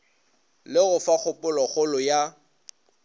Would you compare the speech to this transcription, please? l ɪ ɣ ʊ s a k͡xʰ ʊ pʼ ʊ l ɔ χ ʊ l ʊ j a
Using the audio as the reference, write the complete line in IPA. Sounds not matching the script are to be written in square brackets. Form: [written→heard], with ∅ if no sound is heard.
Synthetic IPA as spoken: l ɪ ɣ ʊ [s→f] a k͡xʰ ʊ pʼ ʊ l ɔ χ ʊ l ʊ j a